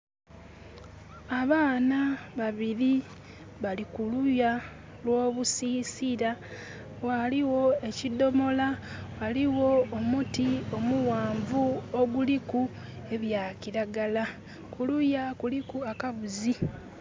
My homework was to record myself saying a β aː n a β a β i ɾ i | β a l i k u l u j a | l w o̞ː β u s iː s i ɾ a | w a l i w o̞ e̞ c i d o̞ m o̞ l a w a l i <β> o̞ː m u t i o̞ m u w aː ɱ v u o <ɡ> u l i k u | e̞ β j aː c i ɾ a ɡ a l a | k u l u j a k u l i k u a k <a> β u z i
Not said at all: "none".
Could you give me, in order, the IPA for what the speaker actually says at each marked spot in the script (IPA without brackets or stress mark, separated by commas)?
w, ɡ, a